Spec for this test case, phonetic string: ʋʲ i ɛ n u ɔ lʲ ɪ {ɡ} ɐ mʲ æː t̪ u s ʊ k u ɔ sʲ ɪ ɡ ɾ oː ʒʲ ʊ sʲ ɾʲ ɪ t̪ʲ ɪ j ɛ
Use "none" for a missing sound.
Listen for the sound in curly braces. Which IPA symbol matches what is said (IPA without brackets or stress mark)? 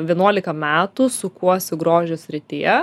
k